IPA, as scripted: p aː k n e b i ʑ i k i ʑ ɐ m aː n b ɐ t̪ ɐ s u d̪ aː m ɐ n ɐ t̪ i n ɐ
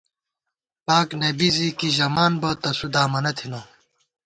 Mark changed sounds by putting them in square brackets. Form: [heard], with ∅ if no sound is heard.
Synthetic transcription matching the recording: p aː k n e b i [z] i k i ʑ ɐ m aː n b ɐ t̪ ɐ s u d̪ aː m ɐ n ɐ [t̪ʰ] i n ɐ